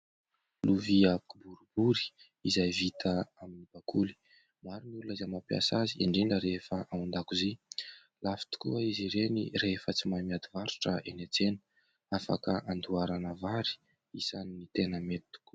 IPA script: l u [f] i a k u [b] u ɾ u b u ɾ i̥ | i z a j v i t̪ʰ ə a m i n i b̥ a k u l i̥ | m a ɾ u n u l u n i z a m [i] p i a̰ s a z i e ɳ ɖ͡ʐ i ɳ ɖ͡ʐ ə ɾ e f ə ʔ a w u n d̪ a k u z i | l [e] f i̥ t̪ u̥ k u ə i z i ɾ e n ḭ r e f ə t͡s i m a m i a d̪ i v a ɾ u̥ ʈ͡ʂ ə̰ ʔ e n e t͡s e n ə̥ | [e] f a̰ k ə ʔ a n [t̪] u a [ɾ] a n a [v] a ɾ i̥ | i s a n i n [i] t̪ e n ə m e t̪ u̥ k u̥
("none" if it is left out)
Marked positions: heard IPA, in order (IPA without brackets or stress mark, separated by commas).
v, b, a, a, a, d̪, ɾ, v, i